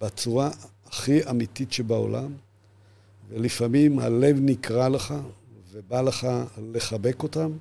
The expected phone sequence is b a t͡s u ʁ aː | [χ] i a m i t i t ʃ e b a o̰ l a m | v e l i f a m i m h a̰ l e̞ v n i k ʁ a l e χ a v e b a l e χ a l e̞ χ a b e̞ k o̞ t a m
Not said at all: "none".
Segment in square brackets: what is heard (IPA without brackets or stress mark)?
χ